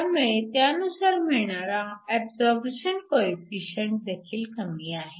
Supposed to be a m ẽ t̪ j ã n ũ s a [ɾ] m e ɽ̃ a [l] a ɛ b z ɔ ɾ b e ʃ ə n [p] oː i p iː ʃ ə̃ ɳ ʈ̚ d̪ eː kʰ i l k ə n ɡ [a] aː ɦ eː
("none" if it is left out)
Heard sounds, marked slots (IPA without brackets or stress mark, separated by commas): ɾ, ɾ, k, i